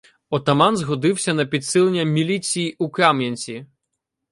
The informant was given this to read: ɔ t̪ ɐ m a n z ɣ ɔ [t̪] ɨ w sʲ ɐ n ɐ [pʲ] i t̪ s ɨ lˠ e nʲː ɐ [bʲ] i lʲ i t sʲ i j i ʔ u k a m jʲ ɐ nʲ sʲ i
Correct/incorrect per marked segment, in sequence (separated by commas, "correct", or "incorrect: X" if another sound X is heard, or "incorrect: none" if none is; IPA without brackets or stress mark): incorrect: d̪, correct, incorrect: mʲ